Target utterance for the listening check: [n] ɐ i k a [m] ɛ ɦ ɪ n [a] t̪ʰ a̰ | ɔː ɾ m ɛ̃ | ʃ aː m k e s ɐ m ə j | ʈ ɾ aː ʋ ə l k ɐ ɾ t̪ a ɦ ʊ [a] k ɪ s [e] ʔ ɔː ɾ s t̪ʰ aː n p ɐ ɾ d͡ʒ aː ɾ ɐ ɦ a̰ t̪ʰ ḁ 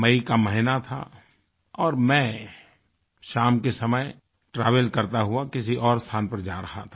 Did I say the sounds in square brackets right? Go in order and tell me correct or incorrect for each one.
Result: incorrect: m, correct, correct, correct, incorrect: i

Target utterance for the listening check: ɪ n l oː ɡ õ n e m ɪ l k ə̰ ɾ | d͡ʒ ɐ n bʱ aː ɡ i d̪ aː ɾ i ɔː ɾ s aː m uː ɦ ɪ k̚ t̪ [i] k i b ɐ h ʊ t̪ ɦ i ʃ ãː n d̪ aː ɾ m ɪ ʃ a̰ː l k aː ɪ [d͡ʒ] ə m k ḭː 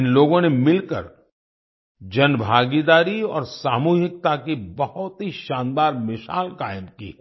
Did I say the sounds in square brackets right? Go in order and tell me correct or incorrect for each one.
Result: incorrect: a, incorrect: none

